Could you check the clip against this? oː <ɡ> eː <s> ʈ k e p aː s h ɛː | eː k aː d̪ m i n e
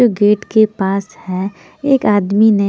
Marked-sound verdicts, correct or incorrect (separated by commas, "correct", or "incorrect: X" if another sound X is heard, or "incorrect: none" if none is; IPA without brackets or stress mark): correct, incorrect: none